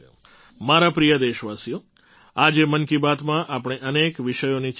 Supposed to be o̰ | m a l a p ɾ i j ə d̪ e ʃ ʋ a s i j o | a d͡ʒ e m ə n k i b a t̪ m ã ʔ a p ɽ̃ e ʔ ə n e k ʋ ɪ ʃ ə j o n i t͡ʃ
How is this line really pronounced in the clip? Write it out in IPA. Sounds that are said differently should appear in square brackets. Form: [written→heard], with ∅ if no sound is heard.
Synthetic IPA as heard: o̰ | m a [l→ɾ] a p ɾ i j ə d̪ e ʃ ʋ a s i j o | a d͡ʒ e m ə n k i b a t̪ m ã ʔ a p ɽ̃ e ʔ ə n e k ʋ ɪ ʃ ə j o n i t͡ʃ